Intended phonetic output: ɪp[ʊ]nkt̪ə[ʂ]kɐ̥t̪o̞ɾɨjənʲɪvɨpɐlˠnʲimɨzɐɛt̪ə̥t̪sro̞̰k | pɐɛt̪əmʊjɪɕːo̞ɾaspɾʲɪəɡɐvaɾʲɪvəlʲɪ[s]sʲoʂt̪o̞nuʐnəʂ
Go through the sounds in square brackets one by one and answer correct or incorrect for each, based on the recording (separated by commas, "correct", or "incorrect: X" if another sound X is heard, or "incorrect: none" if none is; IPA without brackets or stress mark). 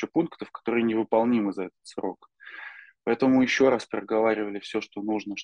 incorrect: u, incorrect: f, incorrect: f